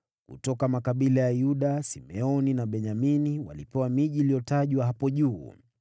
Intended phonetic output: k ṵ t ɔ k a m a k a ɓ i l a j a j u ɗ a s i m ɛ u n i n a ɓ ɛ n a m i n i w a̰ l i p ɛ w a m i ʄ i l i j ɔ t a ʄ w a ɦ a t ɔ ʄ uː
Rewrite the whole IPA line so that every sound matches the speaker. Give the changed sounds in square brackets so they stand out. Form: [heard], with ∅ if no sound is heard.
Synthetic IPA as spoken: k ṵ t ɔ k a m a k a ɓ i l a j a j u ɗ a s i m ɛ [ɔ] n i n a ɓ ɛ [ɲ] a m i n i w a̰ l i p ɛ w a m i ʄ i l i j ɔ t a ʄ w a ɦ a [p] ɔ ʄ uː

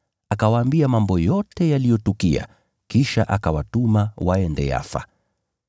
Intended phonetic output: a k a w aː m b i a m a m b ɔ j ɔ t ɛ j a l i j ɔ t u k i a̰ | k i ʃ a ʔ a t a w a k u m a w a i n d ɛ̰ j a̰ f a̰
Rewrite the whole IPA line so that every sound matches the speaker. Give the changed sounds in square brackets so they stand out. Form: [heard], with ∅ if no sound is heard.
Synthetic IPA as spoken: a k a w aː m b i a m a m b ɔ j ɔ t ɛ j a l i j ɔ t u k i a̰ | k i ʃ a ʔ a [k] a w a [t] u m a w a [ɛ] n d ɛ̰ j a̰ f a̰

